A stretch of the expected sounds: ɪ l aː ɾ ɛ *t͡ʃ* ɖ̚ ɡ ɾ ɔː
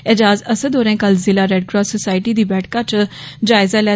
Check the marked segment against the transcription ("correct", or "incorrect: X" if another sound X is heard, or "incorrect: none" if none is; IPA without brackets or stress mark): incorrect: none